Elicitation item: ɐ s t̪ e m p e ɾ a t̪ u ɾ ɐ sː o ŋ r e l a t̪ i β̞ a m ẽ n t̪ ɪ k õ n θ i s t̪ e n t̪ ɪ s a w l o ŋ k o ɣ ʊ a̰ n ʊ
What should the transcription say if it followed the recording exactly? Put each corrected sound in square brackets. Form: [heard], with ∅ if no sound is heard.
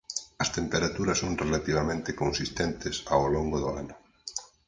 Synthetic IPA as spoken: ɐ s t̪ e m p e ɾ a t̪ u ɾ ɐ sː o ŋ r e l a t̪ i β̞ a m ẽ n t̪ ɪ k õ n [s] i s t̪ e n t̪ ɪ s a w l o ŋ [ɡ] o [ð] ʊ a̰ n ʊ